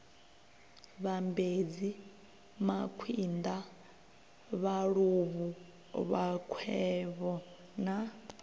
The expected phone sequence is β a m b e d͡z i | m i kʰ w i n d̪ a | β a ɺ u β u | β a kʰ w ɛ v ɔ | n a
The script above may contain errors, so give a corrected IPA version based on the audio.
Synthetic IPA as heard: β a m b e d͡z i | m a kʰ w i n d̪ a | β a ɺ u β u | β a kʰ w ɛ β ɔ | n a

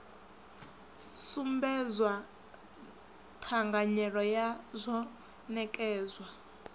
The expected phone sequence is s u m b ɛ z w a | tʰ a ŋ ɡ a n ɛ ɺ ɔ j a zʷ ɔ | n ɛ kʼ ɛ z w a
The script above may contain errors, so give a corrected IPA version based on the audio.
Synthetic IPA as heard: s u m b ɛ z w a | tʰ a ŋ ɡ a ɲ ɛ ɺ ɔ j a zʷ ɔ | n ɛ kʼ ɛː z w a

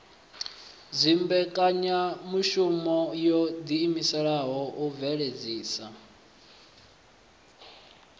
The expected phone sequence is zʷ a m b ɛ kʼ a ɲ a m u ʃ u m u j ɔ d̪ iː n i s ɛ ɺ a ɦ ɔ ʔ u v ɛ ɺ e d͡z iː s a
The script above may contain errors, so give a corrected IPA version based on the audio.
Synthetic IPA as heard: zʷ i m b ɛ kʼ a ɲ a m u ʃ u m ɔ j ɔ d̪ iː m i s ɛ ɺ a ɦ ɔ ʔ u v ɛ ɺ e d͡z iː s a

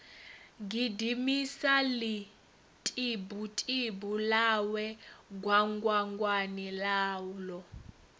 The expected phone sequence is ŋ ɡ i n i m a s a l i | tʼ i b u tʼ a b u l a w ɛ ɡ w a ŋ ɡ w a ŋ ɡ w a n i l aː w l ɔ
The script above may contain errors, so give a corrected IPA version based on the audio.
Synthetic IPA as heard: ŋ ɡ i d i m i s a l i | tʼ i b u tʼ i b u l a w ɛ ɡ w a ŋ ɡ w a ŋ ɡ w a n i l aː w l ɔ

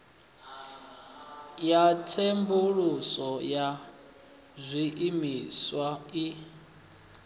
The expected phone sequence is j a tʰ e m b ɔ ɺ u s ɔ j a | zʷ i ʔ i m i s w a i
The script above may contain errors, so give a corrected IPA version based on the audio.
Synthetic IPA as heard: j a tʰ e m b u ɺ u s ɔ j a | zʷ i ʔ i m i s w a i

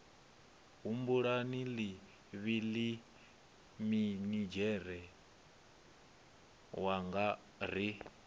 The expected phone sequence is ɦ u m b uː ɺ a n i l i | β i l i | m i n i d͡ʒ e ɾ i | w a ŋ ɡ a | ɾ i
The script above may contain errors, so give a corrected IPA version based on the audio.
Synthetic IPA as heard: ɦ u m b u ɺ a n i l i | β i l i | m i n i d͡ʒ ɛ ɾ ɛ | w a ŋ ɡ a | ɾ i

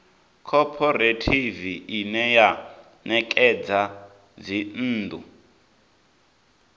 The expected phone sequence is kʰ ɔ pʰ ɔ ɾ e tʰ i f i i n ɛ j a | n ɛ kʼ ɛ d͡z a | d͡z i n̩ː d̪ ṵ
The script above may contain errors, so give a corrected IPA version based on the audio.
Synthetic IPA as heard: kʰ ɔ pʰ ɔ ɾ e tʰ i v i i n ɛ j a | n ɛ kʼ ɛ d͡z a | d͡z i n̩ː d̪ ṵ

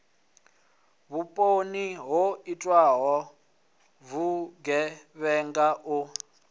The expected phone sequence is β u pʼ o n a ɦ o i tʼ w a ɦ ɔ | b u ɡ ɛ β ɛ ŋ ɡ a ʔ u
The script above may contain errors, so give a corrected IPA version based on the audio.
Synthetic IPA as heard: β u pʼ o n i ɦ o i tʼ w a ɦ ɔ | v u ɡ ɛ β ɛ ŋ ɡ a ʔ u

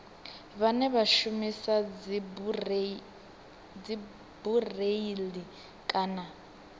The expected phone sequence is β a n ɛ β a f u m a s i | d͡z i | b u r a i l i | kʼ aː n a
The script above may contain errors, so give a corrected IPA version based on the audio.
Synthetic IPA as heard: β a n ɛ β a ʃ u m i s a | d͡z i | b u r e i l i | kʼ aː n a

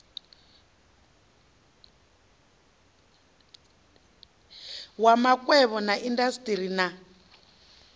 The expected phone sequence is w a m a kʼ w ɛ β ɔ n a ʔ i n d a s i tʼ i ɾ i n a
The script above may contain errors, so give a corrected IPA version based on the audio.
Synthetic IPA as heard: w a m a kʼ w ɛ β ɔ n a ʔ i n d a s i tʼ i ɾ i n a

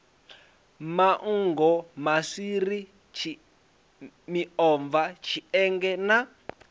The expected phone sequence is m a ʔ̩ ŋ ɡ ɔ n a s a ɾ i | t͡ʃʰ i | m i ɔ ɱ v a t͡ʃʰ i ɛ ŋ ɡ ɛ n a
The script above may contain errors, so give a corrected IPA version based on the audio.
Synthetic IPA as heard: m a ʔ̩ ŋ ɡ ɔ m a s i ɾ i | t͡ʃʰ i | m i ɔ ɱ v a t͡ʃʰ i ɛ ŋ ɡ ɛ n a

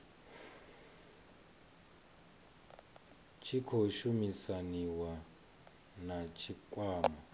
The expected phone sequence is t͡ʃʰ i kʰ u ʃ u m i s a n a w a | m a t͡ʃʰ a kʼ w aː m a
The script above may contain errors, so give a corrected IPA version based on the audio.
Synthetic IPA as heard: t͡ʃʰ i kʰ o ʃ u m i s a n i w a | n a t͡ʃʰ i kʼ w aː m a

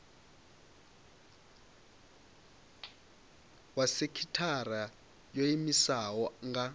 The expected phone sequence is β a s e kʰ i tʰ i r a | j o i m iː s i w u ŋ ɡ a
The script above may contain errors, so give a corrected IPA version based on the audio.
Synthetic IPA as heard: w a s e kʰ i tʰ a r a | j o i m i s a w ɔ ŋ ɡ a

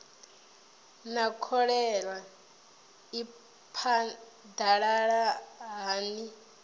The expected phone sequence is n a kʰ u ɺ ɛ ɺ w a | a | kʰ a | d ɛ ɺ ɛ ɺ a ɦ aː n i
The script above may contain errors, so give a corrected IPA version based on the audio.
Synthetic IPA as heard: n a kʰ ɔ ɺ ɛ ɺ w a | i | pʰ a | d a ɺ a ɺ a ɦ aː n i

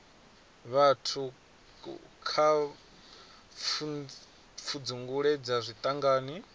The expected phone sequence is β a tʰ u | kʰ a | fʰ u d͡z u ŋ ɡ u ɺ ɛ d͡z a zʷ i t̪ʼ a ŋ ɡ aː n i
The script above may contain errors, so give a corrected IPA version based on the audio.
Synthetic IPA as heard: β a tʰ u | kʰ a | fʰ u d͡z u ŋ ɡ u ɺ ɛ d͡z a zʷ i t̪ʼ a ŋ ɡ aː n i

